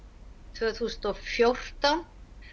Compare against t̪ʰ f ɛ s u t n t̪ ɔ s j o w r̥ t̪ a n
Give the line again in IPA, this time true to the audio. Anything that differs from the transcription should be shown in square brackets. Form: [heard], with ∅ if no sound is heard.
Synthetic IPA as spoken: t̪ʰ [v] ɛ [θ] u [s] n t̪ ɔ [f] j o w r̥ t̪ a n